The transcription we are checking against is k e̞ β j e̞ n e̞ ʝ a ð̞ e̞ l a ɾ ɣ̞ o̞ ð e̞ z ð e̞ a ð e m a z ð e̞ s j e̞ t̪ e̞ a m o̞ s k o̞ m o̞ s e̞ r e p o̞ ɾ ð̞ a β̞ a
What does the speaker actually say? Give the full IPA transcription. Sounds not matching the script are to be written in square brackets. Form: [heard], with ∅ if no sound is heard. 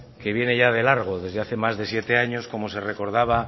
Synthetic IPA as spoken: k e̞ β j e̞ n e̞ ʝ a ð̞ e̞ l a ɾ ɣ̞ o̞ ð e̞ z ð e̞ a [θ] e m a z ð e̞ s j e̞ t̪ e̞ a [ɲ] o̞ s k o̞ m o̞ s e̞ r e [k] o̞ ɾ ð̞ a β̞ a